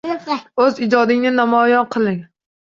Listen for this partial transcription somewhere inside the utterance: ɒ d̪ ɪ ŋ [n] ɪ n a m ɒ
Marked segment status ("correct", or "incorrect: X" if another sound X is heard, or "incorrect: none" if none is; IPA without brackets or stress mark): correct